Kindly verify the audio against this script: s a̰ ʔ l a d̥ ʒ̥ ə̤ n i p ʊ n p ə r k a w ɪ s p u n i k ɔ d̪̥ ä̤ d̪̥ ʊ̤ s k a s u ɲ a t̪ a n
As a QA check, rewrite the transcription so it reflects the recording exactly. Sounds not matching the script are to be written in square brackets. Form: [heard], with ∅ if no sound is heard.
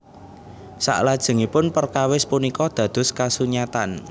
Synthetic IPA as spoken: s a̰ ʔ l a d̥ ʒ̥ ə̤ [ŋ] i p ʊ n p ə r k a w ɪ s p u n i k ɔ d̪̥ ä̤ d̪̥ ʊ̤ s k a s u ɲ a t̪ a n